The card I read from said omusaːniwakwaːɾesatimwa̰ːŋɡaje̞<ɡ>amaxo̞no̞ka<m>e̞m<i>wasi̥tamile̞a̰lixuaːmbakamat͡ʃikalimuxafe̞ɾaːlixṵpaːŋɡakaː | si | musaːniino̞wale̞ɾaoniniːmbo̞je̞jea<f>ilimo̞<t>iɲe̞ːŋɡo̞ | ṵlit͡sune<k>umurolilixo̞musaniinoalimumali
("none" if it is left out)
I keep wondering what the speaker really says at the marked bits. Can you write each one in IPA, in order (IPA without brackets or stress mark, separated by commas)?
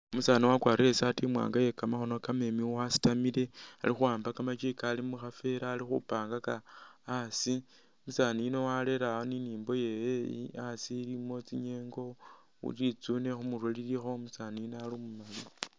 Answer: k, m, i, s, t͡s, x